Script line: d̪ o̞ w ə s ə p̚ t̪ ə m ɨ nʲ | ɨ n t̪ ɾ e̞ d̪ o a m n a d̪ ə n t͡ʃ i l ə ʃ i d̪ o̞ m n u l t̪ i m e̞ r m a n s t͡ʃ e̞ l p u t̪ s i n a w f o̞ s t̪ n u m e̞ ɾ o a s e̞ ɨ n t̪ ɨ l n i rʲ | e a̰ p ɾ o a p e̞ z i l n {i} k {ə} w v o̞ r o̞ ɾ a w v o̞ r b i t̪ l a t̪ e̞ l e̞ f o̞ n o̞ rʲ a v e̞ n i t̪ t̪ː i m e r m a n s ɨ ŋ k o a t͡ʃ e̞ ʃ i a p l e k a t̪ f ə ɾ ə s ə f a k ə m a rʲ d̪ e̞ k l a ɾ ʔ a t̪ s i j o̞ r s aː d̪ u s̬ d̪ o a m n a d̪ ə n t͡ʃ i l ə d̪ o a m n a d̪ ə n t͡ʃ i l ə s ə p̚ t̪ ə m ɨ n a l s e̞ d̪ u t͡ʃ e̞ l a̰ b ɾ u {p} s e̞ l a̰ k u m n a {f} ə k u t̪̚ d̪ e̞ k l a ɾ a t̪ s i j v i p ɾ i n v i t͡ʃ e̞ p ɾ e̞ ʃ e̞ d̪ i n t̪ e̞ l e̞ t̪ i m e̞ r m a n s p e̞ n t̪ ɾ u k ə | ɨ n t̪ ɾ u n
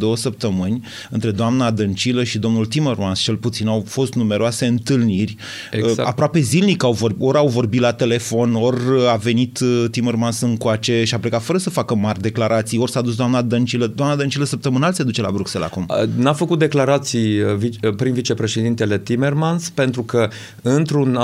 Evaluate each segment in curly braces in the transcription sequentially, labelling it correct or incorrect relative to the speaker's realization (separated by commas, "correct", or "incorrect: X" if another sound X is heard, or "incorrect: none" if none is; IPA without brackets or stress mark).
correct, incorrect: a, incorrect: k, correct